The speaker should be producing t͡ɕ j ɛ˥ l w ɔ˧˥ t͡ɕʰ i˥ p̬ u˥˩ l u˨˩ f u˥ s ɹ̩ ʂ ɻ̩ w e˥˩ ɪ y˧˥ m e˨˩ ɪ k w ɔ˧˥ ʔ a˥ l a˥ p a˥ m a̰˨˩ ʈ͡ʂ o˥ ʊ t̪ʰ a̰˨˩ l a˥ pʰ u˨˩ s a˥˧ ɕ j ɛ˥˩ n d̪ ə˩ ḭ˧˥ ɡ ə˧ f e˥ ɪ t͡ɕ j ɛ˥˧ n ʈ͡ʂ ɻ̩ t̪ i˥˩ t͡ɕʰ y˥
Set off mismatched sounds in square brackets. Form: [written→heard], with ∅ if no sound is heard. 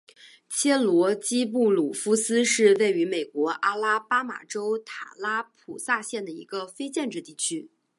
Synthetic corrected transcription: [t͡ɕ→t͡ɕʰ] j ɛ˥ l w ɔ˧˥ [t͡ɕʰ→t͡ɕ] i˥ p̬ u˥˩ l u˨˩ f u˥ s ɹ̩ ʂ ɻ̩ w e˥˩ ɪ y˧˥ m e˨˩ ɪ k w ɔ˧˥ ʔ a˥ l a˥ p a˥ m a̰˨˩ ʈ͡ʂ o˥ ʊ t̪ʰ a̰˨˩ l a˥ pʰ u˨˩ s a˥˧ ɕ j ɛ˥˩ n d̪ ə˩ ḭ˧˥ ɡ ə˧ f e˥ ɪ t͡ɕ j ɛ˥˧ n ʈ͡ʂ ɻ̩ t̪ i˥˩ t͡ɕʰ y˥